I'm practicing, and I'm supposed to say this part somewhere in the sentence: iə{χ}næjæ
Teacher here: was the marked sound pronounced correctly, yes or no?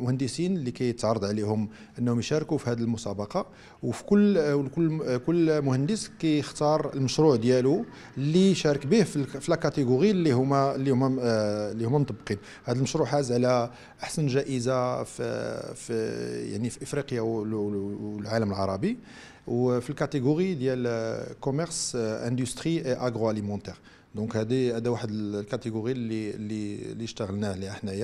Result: no